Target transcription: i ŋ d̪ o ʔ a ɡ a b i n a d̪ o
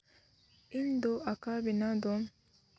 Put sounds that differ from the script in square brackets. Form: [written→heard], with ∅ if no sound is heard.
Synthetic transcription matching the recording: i [ŋ→n] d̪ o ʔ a [ɡ→k] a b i n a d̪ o